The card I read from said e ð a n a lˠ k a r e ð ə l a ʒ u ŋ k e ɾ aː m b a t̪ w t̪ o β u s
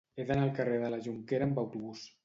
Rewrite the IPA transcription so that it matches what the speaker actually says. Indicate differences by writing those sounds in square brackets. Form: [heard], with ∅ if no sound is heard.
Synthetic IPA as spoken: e ð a n a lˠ k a r e ð ə l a ʒ u ŋ k e ɾ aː m b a [∅] w t̪ [u] β u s